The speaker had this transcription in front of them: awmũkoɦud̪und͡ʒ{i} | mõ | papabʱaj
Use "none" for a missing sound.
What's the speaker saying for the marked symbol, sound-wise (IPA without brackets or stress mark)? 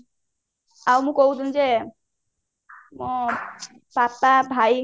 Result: e